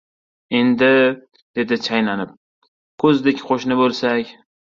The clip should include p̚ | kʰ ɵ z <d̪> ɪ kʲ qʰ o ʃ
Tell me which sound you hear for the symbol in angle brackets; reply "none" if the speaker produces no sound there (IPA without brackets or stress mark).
d̪